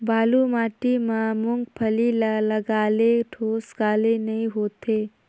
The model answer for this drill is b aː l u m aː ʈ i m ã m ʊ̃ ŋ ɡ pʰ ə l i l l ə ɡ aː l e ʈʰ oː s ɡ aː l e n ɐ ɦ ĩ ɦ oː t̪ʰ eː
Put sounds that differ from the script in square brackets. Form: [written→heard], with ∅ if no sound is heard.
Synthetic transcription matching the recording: b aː l u m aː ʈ i m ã m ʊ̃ ŋ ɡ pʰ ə l i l l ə ɡ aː l e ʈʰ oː s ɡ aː l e n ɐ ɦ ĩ ɦ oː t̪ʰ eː